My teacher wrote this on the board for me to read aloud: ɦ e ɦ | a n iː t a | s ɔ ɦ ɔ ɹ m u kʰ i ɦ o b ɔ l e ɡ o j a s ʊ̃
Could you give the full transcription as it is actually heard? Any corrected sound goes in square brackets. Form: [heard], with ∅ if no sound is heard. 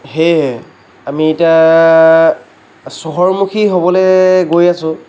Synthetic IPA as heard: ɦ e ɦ | a [m] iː t a | s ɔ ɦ ɔ ɹ m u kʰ i ɦ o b ɔ l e ɡ o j a s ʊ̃